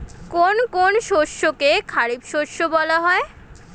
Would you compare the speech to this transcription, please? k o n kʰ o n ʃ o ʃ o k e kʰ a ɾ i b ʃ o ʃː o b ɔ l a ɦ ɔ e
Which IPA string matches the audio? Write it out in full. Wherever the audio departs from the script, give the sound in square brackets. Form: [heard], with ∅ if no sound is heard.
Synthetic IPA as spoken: k o n [k] o n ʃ o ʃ o k e kʰ a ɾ i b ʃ o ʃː o b ɔ l a ɦ ɔ e